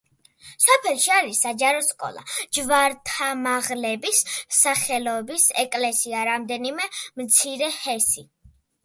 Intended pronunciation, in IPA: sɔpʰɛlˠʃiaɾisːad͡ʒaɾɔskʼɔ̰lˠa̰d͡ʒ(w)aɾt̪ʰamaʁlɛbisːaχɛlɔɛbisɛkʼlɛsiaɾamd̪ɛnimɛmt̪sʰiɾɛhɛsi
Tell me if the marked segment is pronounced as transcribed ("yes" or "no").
no